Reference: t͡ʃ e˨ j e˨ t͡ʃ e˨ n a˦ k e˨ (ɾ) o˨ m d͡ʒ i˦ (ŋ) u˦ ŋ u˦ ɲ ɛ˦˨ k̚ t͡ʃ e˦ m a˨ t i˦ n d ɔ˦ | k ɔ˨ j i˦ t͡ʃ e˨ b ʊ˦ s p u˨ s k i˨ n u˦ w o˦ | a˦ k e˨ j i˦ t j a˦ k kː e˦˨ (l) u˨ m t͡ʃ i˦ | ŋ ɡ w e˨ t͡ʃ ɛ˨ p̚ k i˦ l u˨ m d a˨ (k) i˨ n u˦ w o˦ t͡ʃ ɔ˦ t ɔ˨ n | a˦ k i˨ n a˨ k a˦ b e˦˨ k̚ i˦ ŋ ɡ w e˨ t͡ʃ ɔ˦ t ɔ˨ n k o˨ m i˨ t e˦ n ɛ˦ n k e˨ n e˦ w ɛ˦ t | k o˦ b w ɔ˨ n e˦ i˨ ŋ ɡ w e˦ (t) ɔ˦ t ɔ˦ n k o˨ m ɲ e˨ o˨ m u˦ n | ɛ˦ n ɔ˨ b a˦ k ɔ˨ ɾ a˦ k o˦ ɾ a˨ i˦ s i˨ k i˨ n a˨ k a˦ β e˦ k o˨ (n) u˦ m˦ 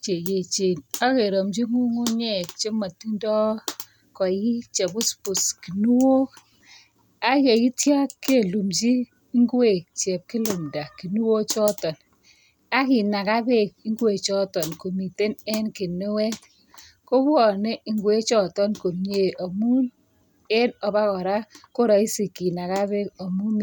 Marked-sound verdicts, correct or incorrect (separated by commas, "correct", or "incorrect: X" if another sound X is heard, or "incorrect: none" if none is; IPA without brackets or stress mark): correct, correct, correct, correct, incorrect: t͡ʃ, incorrect: m